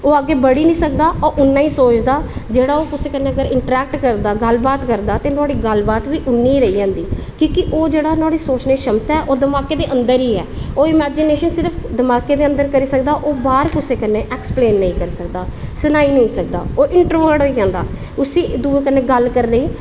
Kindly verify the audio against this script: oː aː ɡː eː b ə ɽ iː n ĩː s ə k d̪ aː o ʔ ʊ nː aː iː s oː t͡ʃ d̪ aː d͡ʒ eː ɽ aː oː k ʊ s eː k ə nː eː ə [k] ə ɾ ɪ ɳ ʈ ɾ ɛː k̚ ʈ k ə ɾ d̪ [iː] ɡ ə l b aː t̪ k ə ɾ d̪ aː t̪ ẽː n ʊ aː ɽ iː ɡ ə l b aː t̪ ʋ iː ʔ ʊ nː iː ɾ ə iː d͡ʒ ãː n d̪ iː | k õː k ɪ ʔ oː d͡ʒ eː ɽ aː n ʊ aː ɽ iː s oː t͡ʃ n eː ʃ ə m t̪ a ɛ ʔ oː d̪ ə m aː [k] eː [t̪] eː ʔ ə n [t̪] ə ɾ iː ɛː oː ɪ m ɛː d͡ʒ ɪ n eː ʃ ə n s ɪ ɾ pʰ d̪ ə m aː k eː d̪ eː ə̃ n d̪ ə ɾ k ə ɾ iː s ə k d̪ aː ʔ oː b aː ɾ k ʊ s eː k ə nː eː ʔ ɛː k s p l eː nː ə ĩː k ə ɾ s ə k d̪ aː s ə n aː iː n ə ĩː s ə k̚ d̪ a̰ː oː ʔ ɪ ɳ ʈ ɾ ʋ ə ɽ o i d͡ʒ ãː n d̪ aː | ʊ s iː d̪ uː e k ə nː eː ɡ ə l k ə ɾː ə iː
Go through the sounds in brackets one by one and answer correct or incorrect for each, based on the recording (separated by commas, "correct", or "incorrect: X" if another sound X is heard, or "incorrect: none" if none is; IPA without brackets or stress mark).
incorrect: ɡ, incorrect: aː, correct, incorrect: d̪, incorrect: d̪